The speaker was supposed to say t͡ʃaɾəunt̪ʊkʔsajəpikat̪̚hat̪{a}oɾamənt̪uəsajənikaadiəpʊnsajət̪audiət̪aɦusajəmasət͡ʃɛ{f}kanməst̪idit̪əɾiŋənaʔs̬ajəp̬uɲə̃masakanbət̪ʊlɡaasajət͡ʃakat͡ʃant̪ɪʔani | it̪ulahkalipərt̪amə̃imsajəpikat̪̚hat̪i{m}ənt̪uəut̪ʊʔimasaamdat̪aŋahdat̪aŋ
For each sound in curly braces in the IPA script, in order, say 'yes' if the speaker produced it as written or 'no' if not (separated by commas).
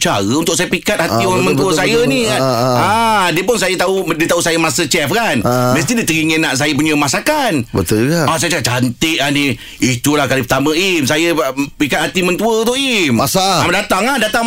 no, yes, yes